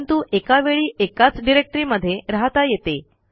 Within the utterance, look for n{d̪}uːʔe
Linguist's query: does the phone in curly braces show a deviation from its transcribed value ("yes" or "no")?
yes